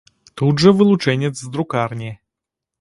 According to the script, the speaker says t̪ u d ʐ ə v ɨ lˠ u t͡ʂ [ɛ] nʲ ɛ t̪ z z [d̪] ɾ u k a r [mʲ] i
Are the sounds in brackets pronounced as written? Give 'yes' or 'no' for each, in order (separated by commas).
yes, yes, no